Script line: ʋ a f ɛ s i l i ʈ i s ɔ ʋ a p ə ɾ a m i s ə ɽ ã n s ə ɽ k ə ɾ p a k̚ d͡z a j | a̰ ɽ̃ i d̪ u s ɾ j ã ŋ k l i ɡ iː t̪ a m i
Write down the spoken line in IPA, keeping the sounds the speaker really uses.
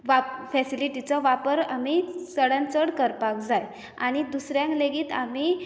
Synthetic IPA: ʋ a f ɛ s i l i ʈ i t͡s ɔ ʋ a p ə ɾ a m i s ə ɽ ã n t͡s ə ɽ k ə ɾ p a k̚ d͡z a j | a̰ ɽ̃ i d̪ u s ɾ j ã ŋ k l e ɡ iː t̪ a m i